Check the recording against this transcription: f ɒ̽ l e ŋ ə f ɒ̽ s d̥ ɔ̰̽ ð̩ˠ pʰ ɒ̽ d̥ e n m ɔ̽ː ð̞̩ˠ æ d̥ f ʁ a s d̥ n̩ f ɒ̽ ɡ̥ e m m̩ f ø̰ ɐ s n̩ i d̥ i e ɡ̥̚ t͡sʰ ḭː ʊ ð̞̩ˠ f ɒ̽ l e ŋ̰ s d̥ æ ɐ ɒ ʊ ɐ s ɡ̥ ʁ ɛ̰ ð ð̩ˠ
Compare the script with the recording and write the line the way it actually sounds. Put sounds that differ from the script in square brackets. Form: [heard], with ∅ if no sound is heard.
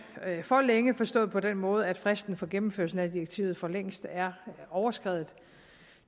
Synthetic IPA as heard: f ɒ̽ l e ŋ ə f ɒ̽ s d̥ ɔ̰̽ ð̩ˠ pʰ ɒ̽ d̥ e n m ɔ̽ː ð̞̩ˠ æ d̥ f ʁ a s d̥ n̩ f ɒ̽ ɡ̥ e m m̩ f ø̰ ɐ s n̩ [æ] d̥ i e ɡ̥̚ t͡sʰ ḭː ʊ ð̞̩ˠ f ɒ̽ l e ŋ̰ s d̥ æ ɐ ɒ ʊ ɐ s ɡ̥ ʁ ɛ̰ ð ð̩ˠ